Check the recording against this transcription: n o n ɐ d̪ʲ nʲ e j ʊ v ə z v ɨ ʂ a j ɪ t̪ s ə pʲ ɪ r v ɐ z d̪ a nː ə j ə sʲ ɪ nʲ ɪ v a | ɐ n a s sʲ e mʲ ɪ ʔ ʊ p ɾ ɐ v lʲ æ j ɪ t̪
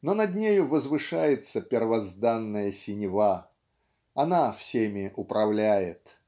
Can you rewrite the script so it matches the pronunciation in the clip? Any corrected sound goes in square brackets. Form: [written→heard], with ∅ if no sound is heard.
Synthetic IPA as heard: n o n ɐ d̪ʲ nʲ e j ʊ v ə z v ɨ ʂ a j ɪ t̪ s ə pʲ ɪ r v ɐ z d̪ a nː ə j ə sʲ ɪ nʲ ɪ v a | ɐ n a [s→f] sʲ e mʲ ɪ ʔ ʊ p ɾ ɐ v lʲ æ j ɪ t̪